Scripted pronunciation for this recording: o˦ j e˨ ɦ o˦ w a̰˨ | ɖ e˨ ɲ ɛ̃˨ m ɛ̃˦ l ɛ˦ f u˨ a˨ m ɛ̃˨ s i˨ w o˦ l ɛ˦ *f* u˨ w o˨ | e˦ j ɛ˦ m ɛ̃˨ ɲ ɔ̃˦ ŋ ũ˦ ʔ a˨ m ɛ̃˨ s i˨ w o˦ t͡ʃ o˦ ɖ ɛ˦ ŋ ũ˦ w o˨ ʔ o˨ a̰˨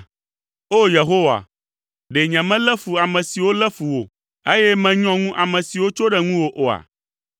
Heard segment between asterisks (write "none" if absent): f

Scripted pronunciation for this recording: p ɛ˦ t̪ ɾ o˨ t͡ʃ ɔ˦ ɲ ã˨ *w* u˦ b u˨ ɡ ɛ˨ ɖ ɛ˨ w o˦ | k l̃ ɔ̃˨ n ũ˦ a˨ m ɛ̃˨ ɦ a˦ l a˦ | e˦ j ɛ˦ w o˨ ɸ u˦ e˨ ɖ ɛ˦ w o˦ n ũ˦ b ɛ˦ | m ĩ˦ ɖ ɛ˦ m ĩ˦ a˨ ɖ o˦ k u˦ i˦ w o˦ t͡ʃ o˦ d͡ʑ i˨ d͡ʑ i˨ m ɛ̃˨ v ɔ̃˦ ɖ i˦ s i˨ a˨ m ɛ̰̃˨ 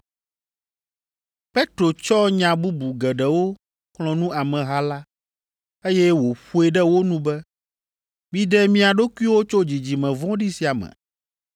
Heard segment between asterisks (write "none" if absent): b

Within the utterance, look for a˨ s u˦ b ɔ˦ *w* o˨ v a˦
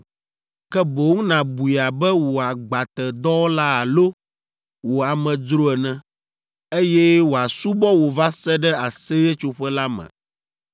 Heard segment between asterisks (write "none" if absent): w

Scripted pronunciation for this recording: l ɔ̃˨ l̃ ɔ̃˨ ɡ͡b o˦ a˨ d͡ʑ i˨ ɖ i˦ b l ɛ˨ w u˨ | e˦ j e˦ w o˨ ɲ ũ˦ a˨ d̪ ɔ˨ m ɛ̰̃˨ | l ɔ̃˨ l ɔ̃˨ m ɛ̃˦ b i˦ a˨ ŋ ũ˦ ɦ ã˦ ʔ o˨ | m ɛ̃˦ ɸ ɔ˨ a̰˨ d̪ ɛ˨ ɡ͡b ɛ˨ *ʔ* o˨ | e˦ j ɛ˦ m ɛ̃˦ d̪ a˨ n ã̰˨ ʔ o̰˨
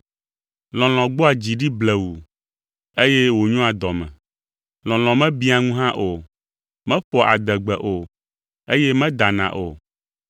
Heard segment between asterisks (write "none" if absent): ʔ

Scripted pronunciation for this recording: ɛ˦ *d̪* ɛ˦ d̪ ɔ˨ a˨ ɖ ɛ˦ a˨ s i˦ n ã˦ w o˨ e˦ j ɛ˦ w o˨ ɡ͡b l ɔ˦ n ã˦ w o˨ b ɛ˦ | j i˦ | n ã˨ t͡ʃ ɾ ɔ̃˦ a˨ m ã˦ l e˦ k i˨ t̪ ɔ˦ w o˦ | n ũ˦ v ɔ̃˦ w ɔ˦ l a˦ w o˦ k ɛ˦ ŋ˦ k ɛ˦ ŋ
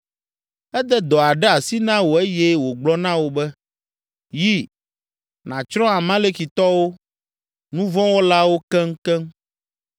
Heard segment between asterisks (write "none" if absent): d̪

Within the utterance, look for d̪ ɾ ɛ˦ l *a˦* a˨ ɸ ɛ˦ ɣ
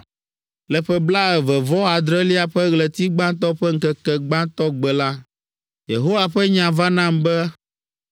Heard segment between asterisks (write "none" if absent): i˦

